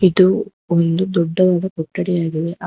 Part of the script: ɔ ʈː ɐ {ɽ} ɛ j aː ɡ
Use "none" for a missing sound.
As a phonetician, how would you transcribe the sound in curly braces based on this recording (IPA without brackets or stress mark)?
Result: ɽ